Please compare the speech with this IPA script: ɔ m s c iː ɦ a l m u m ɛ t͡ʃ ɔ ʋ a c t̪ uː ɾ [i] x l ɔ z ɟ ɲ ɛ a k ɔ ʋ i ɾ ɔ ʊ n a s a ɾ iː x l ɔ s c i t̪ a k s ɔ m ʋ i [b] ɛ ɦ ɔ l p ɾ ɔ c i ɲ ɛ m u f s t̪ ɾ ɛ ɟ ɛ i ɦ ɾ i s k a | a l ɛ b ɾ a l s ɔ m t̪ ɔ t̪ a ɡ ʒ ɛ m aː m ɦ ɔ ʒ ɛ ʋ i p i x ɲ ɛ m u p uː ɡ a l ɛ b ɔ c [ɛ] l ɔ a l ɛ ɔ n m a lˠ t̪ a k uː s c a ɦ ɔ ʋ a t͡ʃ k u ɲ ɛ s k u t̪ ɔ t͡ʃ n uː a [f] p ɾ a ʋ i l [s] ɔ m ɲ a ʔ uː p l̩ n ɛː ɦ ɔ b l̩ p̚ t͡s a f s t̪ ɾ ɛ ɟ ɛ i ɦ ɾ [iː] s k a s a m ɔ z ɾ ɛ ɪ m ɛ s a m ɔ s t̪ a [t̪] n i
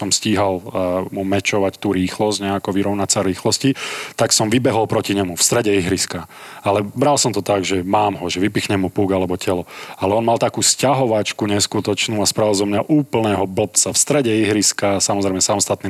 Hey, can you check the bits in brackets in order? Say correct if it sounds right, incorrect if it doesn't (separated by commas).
incorrect, correct, correct, incorrect, incorrect, incorrect, correct